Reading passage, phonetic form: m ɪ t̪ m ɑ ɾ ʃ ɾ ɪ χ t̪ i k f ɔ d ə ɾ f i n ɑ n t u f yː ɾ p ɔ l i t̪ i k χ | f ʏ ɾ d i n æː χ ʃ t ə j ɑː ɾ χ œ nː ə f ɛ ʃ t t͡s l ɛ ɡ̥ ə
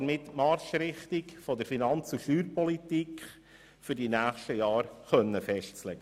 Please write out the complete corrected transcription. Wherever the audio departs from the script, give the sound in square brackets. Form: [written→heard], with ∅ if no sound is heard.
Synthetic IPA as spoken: m ɪ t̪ m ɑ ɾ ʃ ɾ ɪ χ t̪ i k f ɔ d ə ɾ f i n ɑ n [t→t͡s] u [f→ʃ] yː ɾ p ɔ l i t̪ i k χ | f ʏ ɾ d i n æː χ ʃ t ə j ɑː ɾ χ œ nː ə f ɛ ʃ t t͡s l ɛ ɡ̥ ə